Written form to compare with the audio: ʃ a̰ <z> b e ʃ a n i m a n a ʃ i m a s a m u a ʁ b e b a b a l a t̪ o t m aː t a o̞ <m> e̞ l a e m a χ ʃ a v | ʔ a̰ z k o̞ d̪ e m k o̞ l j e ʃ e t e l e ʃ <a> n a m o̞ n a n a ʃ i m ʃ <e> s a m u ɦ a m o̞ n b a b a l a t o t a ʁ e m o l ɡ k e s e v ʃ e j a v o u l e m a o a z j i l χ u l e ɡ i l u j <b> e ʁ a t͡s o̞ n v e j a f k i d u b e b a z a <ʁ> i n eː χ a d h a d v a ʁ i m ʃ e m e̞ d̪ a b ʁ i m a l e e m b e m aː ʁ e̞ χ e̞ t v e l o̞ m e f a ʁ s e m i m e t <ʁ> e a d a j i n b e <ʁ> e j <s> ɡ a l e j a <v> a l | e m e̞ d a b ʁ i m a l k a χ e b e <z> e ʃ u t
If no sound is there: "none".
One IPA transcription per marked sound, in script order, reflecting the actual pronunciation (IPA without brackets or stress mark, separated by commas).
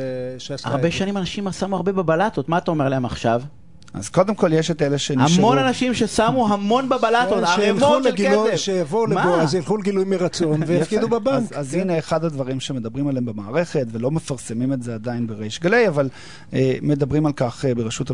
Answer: ʁ, m, e, e, m, z, z, ʁ, ʃ, v, ʁ